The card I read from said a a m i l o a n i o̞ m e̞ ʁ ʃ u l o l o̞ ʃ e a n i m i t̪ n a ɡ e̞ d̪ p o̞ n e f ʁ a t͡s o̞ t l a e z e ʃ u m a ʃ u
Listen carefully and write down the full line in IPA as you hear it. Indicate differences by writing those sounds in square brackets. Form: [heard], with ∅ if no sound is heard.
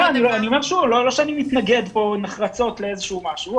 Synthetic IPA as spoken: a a [n] i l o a n i o̞ m e̞ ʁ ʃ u l o l o̞ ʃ e a n i m i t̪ n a ɡ e̞ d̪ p o̞ n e [χ] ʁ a t͡s o̞ t l [e] e z e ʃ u m a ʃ u